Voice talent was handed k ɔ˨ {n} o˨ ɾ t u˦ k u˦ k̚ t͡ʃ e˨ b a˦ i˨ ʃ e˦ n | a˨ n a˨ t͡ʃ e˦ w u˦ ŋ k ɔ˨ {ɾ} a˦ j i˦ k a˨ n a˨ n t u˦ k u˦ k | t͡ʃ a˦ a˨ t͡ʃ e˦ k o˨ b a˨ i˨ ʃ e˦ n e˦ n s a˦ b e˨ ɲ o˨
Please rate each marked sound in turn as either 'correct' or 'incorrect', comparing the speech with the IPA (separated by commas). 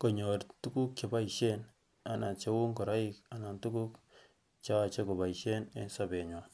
incorrect, correct